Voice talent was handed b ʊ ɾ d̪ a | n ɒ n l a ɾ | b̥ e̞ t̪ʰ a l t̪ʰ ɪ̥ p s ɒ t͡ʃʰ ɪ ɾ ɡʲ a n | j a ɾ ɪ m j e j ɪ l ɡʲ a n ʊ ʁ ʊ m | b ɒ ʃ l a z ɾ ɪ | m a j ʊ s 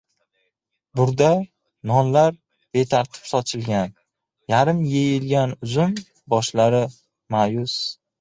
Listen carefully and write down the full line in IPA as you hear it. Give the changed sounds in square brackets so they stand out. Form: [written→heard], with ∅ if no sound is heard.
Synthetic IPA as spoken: b ʊ ɾ d̪ a | n ɒ n l a ɾ | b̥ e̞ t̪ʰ a [l→ɾ] t̪ʰ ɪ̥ p s ɒ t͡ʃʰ ɪ [ɾ→l] ɡʲ a n | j a ɾ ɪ m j e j ɪ l ɡʲ a n ʊ [ʁ→z] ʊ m | b ɒ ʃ l a [z→∅] ɾ ɪ | m a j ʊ s